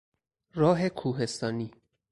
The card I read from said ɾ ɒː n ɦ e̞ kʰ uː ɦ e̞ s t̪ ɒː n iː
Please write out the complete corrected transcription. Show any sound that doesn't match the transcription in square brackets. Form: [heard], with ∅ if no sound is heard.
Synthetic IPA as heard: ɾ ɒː [∅] ɦ e̞ kʰ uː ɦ e̞ s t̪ ɒː n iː